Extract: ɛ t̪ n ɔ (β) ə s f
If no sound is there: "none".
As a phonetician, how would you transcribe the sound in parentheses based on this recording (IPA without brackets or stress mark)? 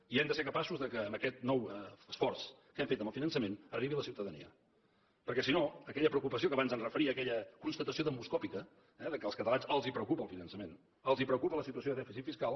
w